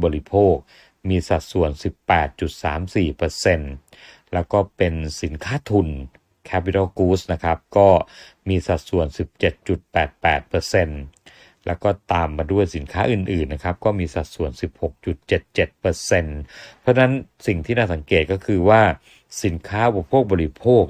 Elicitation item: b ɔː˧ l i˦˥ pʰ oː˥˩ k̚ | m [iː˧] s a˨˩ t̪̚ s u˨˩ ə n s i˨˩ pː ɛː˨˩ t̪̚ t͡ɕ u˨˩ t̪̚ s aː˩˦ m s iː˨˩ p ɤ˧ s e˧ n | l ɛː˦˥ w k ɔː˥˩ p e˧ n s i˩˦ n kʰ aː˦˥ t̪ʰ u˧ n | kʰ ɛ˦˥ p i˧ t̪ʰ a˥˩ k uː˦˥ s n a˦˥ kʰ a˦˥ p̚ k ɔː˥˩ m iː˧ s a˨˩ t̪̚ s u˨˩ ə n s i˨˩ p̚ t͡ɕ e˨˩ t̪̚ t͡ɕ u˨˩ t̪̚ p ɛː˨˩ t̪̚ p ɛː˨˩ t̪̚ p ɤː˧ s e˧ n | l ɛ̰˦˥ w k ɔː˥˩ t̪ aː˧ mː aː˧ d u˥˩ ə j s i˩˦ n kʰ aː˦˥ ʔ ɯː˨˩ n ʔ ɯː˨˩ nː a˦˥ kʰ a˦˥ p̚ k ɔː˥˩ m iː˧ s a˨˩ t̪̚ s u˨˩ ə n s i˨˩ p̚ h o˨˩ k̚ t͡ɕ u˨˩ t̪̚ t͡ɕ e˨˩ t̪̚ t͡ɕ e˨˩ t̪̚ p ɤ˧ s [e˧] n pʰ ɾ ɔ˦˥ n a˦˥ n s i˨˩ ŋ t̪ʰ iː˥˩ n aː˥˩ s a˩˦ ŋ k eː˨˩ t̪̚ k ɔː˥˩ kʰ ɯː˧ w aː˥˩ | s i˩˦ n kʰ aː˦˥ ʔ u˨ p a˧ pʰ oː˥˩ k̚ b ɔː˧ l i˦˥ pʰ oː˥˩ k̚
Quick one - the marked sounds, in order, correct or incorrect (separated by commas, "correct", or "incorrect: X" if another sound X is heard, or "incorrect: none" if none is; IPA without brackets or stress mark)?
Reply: correct, correct